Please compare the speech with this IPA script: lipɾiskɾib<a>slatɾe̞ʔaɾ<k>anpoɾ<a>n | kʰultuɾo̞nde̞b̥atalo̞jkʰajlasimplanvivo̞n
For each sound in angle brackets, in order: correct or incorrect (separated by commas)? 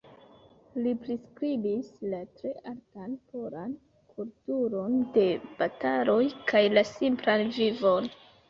incorrect, incorrect, correct